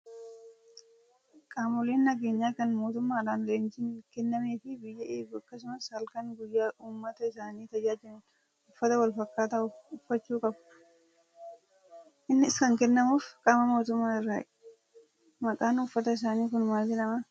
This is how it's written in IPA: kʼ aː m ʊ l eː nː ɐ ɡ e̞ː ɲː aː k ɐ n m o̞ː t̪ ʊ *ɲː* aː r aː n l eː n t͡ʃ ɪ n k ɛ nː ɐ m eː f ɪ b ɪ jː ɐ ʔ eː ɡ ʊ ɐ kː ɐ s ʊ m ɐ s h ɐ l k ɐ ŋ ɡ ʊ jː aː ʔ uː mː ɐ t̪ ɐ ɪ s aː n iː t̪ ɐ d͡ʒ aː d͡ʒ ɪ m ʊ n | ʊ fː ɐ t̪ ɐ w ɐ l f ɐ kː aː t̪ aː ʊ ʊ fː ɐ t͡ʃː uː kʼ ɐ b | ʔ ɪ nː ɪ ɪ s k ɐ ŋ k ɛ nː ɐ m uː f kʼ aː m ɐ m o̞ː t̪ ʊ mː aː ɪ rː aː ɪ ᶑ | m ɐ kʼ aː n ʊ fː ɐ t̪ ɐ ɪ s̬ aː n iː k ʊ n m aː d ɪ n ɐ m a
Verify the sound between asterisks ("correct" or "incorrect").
incorrect